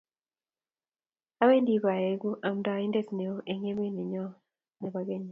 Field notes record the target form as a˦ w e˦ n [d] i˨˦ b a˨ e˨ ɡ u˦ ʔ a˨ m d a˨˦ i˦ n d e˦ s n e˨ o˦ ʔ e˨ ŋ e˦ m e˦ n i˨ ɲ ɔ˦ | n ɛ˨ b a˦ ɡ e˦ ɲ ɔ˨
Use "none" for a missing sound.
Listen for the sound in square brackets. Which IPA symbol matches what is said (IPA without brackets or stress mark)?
d